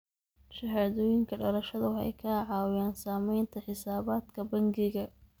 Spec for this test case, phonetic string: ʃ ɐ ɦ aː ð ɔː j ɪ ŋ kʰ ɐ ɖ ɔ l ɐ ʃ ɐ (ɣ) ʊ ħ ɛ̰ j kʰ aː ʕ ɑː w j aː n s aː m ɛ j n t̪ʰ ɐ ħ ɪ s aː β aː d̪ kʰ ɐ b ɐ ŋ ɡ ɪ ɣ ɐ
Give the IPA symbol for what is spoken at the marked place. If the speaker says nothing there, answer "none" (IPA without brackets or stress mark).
ð